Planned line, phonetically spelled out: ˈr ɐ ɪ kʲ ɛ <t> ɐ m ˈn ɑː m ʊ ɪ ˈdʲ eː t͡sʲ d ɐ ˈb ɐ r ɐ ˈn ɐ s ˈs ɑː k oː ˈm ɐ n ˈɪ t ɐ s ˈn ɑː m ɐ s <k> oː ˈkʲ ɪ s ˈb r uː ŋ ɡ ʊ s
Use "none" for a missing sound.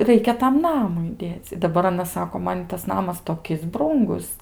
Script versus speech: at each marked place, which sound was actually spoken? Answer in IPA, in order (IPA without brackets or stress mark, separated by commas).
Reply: t, t